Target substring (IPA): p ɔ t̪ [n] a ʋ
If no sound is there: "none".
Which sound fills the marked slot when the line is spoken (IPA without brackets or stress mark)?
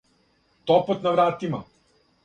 n